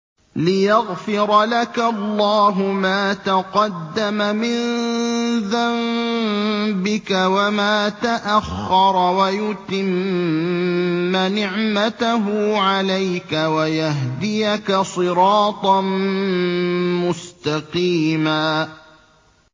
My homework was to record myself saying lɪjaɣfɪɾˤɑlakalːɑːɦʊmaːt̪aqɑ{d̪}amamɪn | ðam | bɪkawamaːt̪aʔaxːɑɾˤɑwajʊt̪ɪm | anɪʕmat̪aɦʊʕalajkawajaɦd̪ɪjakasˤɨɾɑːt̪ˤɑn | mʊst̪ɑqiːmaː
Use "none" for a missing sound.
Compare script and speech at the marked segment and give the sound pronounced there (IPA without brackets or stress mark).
d̪ː